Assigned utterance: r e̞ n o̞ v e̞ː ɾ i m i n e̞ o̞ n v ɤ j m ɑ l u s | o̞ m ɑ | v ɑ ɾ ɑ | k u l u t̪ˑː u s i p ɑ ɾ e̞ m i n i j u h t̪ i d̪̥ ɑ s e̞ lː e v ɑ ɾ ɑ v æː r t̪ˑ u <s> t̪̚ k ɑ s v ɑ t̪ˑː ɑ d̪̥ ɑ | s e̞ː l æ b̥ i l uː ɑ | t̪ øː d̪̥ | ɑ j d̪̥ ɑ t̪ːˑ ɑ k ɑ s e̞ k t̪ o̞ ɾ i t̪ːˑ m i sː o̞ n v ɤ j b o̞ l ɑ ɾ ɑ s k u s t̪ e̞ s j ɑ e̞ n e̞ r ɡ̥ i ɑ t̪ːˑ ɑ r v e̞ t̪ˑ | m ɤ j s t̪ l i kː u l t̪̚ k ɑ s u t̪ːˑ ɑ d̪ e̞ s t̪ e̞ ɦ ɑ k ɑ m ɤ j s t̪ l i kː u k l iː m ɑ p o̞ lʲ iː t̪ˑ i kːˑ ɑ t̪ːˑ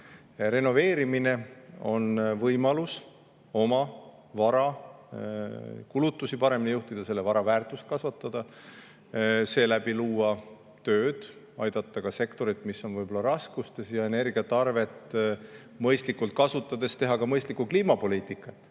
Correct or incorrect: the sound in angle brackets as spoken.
correct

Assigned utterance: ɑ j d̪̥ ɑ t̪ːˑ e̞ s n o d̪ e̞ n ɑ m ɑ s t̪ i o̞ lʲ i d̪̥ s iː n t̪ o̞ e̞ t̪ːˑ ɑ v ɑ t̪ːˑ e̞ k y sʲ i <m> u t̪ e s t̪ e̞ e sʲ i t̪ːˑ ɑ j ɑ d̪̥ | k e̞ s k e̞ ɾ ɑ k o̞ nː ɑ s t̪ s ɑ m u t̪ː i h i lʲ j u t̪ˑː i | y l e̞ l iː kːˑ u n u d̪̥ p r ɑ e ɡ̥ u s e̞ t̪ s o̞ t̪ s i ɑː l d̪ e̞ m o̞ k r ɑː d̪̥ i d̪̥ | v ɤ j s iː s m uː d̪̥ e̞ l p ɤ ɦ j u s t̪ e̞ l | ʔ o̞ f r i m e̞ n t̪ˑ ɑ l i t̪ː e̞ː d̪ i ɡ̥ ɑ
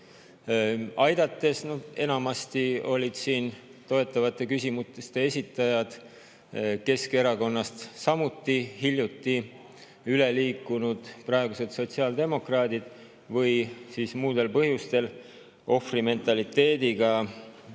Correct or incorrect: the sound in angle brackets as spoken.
correct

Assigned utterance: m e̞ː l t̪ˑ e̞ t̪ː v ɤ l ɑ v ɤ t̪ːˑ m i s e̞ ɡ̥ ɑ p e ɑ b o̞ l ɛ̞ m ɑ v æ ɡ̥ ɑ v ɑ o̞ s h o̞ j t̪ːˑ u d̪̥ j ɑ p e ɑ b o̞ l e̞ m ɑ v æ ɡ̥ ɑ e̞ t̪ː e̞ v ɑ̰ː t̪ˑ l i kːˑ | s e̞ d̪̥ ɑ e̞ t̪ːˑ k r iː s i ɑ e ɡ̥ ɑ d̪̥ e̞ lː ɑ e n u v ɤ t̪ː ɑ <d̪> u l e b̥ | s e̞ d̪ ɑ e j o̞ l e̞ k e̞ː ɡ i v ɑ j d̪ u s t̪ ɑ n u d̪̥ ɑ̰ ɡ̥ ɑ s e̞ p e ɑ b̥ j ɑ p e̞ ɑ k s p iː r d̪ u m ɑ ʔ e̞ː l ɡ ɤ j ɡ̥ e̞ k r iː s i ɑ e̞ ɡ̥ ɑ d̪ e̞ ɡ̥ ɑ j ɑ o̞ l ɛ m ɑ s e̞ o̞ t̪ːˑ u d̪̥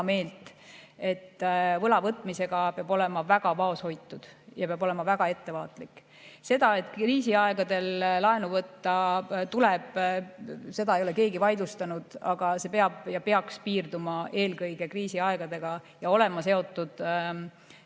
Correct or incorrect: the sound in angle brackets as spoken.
incorrect: t̪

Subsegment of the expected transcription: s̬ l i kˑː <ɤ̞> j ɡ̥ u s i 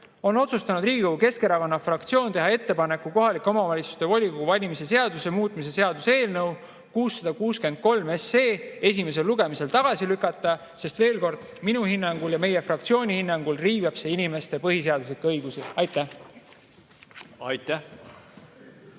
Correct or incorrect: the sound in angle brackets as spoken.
correct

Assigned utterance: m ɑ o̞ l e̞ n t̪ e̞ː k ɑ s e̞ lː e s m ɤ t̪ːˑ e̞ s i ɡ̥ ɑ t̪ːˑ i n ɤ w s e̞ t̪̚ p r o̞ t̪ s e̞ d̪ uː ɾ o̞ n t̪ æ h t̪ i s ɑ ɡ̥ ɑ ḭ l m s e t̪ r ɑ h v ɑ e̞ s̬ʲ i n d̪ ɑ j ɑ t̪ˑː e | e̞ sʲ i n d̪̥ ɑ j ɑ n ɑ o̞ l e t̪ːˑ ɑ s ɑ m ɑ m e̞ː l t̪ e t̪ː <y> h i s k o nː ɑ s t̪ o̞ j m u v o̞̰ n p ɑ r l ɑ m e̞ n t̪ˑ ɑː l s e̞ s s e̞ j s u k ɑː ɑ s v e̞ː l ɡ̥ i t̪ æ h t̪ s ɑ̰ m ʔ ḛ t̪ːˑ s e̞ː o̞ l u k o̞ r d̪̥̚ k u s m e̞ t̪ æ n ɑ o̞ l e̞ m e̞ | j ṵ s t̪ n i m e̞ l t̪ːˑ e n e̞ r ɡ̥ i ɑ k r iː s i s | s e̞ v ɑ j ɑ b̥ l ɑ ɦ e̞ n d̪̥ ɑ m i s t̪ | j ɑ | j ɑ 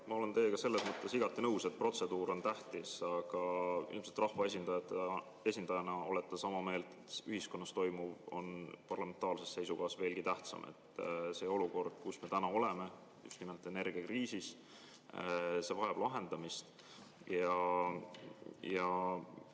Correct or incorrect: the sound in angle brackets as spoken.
correct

